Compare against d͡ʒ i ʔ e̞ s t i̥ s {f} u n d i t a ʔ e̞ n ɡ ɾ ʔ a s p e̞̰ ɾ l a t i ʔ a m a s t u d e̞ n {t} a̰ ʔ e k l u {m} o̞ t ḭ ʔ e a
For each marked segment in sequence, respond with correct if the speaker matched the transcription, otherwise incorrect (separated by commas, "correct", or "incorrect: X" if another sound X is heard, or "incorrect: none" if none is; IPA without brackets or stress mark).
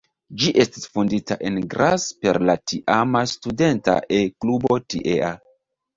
correct, correct, incorrect: b